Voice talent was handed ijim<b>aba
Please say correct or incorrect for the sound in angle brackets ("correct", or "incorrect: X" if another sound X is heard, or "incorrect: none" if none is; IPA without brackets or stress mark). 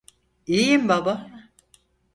correct